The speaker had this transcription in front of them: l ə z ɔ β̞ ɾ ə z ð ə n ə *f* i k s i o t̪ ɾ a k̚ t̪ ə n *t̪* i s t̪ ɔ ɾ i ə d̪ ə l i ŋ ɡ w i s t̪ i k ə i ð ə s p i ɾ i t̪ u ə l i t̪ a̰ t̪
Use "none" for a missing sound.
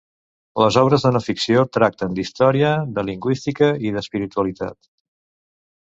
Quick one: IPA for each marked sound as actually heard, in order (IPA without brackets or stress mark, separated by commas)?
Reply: f, d̪